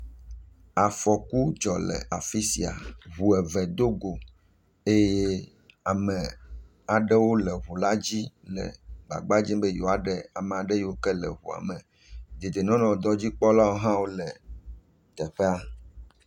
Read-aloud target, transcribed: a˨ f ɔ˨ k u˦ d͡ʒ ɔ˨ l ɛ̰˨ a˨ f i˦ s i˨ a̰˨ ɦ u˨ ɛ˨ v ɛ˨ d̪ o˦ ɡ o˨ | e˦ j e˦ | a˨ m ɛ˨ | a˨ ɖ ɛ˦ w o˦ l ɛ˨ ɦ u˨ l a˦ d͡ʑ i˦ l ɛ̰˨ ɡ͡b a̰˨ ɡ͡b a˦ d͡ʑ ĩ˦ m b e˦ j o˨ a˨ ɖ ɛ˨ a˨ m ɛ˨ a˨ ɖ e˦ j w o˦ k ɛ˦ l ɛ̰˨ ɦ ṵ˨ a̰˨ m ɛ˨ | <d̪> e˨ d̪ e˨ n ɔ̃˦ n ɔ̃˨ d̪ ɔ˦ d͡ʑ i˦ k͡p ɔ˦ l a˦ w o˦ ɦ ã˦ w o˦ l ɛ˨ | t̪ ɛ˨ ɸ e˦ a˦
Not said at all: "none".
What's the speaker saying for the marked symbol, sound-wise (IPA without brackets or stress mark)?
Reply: d̪